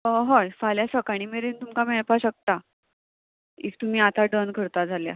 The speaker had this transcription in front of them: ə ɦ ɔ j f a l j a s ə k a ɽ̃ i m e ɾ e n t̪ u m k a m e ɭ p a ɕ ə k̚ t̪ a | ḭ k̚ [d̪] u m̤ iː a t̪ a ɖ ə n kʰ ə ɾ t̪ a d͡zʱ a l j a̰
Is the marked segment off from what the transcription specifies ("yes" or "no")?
yes